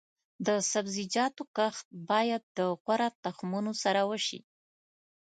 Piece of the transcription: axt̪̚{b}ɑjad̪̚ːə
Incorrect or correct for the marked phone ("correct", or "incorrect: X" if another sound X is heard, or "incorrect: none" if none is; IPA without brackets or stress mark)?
correct